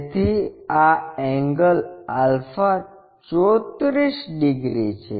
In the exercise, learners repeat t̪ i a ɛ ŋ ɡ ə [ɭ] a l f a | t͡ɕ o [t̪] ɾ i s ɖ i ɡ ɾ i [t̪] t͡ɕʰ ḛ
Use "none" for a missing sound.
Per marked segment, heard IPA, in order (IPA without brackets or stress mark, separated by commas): l, t̪, none